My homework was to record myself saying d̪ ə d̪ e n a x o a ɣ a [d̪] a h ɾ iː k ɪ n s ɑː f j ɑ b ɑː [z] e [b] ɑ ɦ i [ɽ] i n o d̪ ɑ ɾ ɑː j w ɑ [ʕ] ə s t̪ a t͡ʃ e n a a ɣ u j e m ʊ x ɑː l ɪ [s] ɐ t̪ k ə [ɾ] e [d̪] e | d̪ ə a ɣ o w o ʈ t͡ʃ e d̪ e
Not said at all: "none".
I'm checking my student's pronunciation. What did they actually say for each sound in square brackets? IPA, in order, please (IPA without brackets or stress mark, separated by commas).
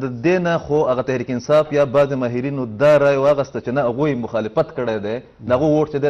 t̪, z, m, ɾ, ɣ, f, ɽ, d̪